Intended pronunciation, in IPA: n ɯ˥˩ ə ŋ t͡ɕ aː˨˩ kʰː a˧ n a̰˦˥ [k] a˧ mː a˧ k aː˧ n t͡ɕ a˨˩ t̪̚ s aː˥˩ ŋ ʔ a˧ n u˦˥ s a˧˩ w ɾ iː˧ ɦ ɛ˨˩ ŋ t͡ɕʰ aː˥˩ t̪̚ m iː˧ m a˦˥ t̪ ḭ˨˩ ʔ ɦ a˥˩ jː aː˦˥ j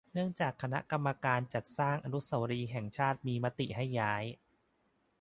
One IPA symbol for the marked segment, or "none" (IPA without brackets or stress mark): k